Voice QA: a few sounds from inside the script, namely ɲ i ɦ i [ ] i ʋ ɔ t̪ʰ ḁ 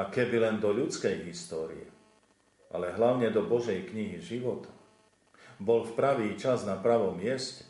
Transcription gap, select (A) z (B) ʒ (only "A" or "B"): B